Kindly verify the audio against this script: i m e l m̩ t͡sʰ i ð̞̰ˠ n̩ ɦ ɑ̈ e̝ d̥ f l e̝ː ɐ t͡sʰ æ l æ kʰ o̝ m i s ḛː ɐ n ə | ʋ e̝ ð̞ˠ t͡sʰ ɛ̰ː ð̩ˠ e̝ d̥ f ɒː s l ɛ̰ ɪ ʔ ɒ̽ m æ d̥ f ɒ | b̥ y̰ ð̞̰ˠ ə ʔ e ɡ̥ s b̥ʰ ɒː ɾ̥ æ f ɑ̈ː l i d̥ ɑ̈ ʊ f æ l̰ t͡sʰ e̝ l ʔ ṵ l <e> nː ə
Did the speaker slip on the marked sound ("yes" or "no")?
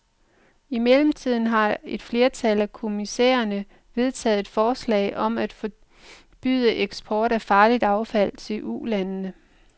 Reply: yes